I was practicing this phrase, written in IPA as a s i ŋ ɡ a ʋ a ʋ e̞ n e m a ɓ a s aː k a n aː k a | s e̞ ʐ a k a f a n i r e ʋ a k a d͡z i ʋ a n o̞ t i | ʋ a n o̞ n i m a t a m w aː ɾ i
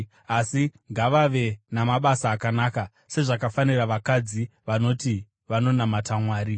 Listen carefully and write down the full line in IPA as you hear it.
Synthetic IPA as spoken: a s i ŋ ɡ a ʋ a ʋ e̞ n a m a ɓ a s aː k a n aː k a | s e̞ ʐ a k a f a n i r a ʋ a k a d͡z i ʋ a n o̞ t i | ʋ a n o̞ n a m a t a m w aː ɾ i